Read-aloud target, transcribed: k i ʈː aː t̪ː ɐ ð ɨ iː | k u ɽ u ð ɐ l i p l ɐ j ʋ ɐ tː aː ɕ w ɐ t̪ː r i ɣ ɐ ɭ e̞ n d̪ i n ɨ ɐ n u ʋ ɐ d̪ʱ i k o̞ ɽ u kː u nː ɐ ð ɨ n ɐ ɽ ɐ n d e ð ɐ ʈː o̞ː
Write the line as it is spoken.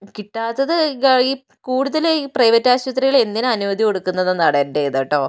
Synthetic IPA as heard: k i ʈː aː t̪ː ɐ ð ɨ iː | k uː ɽ u ð ɐ l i p r ɐ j ʋ ɐ tː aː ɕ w ɐ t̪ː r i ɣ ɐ ɭ e̞ n d̪ i n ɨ ɐ n u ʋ ɐ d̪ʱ i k o̞ ɽ u kː u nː ɐ ð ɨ n ɐ ɽ ɐ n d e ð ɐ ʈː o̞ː